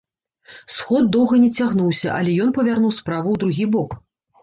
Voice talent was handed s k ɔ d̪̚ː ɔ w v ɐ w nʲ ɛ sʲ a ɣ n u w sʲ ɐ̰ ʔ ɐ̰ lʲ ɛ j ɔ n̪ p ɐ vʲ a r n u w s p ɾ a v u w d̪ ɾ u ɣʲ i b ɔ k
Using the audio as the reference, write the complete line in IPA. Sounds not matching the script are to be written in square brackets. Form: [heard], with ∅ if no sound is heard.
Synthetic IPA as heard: s [x] ɔ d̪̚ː ɔ w [ɣ] ɐ [∅] nʲ ɛ [t͡sʲ] a ɣ n u w sʲ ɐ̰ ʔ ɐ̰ lʲ ɛ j ɔ n̪ p ɐ vʲ a r n u w s p ɾ a v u w d̪ ɾ u ɣʲ i b ɔ k